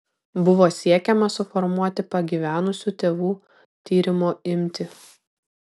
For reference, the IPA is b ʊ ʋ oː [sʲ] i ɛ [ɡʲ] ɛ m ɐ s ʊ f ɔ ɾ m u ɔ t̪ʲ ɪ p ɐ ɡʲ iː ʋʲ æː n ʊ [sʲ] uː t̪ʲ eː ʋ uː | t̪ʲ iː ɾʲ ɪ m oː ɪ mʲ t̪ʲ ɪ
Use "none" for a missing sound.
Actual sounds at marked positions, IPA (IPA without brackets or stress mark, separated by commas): sʲ, kʲ, sʲ